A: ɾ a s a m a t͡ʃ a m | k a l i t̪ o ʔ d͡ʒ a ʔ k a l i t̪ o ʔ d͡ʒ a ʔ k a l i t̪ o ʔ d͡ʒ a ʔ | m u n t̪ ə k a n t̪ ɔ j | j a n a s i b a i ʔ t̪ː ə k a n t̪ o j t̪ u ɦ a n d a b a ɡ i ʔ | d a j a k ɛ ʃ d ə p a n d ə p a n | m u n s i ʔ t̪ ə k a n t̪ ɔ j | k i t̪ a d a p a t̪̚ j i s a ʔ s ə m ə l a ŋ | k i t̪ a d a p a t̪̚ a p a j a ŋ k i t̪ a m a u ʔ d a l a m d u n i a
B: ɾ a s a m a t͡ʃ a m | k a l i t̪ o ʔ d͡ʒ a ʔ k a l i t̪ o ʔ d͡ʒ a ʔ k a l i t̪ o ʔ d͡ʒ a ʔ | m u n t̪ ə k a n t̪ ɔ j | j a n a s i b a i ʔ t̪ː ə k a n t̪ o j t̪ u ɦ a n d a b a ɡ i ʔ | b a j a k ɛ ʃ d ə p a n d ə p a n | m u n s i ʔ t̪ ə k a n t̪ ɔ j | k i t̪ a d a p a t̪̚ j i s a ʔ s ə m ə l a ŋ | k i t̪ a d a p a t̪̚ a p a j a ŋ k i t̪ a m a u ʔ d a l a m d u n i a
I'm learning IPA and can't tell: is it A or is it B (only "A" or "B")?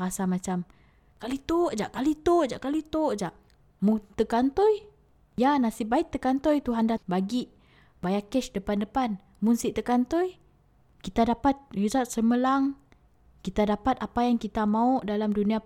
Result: B